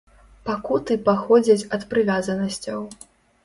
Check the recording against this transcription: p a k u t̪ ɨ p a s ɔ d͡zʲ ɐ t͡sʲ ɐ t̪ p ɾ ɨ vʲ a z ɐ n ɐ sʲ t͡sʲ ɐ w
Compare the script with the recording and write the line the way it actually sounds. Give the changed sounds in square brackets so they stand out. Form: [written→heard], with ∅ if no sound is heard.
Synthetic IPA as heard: p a k u t̪ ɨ p a [s→x] ɔ d͡zʲ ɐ t͡sʲ ɐ t̪ p ɾ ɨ vʲ a z ɐ n ɐ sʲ t͡sʲ ɐ w